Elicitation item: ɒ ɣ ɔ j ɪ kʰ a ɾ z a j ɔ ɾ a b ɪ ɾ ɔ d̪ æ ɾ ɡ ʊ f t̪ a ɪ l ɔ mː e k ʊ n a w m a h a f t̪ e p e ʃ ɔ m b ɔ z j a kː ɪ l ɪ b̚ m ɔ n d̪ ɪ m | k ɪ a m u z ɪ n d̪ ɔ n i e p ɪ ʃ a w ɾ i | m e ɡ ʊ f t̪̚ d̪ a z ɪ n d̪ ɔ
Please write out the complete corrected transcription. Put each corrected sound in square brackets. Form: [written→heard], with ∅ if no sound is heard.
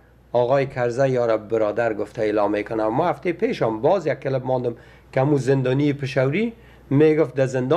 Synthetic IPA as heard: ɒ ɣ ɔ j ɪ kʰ a ɾ z a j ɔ ɾ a b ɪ ɾ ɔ d̪ [æ→a] ɾ ɡ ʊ f t̪ a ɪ l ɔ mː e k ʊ n a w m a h a f t̪ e p e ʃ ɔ m b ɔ z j a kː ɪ l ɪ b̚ m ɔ n d̪ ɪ m | k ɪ a m u z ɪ n d̪ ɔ n i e p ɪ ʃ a w ɾ i | m e ɡ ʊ f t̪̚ d̪ a z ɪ n d̪ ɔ